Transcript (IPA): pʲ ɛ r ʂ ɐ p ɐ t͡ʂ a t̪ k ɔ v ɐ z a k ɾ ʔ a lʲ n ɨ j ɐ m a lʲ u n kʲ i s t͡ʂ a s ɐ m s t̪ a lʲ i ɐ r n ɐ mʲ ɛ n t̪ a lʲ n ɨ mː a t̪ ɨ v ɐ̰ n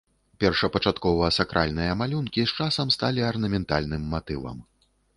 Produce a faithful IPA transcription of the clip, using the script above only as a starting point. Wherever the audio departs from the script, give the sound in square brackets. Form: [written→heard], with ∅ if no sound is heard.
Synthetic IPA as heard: pʲ ɛ r ʂ ɐ p ɐ t͡ʂ a t̪ k ɔ v ɐ [z→s] a k ɾ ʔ a lʲ n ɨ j ɐ m a lʲ u n kʲ i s t͡ʂ a s ɐ m s t̪ a lʲ i ɐ r n ɐ mʲ ɛ n t̪ a lʲ n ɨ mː a t̪ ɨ v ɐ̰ [n→m]